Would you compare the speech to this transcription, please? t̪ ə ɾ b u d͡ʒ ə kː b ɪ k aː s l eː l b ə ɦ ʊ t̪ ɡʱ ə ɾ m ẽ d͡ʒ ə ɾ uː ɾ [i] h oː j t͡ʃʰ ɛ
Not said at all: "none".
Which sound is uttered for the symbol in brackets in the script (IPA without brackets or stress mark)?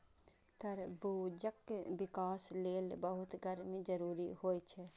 i